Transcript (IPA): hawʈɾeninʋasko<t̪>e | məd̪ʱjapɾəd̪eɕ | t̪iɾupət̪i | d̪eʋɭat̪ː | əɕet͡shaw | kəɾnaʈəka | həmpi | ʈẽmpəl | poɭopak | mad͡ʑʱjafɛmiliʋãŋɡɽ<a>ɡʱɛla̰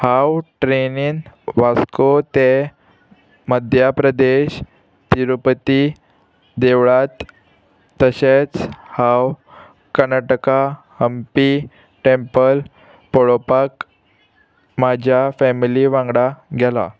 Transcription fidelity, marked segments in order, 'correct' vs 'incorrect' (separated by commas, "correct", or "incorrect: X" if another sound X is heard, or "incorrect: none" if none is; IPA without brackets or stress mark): correct, correct